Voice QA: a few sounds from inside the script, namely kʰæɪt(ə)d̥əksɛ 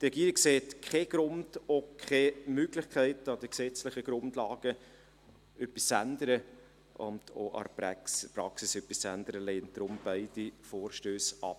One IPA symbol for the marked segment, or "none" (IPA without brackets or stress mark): ɑ